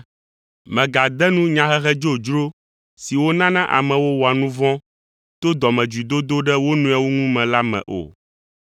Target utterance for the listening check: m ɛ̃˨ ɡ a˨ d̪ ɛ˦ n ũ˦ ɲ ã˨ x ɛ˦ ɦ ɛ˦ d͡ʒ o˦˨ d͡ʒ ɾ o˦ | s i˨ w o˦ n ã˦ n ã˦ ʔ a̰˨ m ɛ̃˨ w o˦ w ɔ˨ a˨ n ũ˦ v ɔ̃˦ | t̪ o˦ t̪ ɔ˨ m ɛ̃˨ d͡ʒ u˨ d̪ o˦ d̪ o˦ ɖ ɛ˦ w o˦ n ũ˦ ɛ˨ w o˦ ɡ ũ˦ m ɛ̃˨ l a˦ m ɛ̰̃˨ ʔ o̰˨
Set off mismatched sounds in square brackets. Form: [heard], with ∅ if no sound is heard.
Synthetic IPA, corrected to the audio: m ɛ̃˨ ɡ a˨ d̪ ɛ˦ n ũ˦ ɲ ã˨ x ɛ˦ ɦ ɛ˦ d͡ʒ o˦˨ d͡ʒ ɾ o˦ | s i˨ w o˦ n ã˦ n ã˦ ʔ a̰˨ m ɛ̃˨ w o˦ w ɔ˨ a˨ n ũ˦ v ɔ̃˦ | t̪ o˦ [d̪] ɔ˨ m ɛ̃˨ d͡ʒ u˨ d̪ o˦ d̪ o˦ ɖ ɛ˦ w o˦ n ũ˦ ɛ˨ w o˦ [ŋ] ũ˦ m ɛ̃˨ l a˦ m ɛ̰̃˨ ʔ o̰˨